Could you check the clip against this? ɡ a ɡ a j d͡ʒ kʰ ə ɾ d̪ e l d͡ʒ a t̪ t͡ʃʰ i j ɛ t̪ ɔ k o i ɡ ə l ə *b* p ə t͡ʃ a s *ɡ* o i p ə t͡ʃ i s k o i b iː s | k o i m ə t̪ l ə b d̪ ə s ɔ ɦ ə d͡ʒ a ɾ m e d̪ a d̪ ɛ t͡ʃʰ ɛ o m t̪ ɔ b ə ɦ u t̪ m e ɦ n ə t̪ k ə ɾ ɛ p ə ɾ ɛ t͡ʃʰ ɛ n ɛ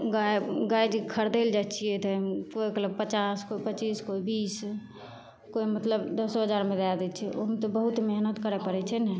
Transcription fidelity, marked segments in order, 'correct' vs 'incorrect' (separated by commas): correct, incorrect